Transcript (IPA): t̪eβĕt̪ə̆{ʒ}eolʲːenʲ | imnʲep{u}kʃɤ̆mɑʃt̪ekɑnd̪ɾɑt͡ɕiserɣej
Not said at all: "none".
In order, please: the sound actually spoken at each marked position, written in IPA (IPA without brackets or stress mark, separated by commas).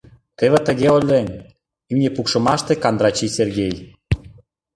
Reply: ɣ, u